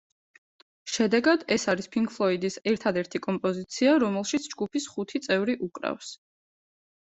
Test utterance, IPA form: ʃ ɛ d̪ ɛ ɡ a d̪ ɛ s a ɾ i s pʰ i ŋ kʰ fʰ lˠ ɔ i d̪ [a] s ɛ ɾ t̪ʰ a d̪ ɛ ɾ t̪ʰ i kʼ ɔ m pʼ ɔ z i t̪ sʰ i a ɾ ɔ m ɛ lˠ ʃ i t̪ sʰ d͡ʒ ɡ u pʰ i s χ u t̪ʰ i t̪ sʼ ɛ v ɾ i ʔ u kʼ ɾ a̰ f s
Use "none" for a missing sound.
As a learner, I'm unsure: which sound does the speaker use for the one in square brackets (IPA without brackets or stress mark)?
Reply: i